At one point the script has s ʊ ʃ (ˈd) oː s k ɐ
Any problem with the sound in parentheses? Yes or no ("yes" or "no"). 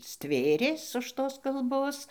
yes